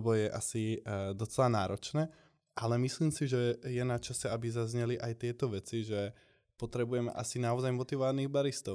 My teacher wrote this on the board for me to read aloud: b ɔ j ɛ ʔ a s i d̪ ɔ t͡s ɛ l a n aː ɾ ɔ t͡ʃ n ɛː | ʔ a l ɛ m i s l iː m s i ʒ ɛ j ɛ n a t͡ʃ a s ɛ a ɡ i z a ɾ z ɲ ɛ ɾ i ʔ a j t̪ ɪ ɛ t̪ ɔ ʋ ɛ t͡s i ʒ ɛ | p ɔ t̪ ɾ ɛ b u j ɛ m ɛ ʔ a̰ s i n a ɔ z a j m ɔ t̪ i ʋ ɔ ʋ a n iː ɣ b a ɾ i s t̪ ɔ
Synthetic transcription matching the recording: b ɔ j ɛ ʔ a s i d̪ ɔ t͡s ɛ l a n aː ɾ ɔ t͡ʃ n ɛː | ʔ a l ɛ m i s l iː m s i ʒ ɛ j ɛ n a t͡ʃ a s ɛ a b i z a z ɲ ɛ l i ʔ a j t̪ ɪ ɛ t̪ ɔ ʋ ɛ t͡s i ʒ ɛ | p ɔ t̪ ɾ ɛ b u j ɛ m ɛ ʔ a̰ s i n a ɔ z a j m ɔ t̪ i ʋ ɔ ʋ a n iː ɣ b a ɾ i s t̪ ɔ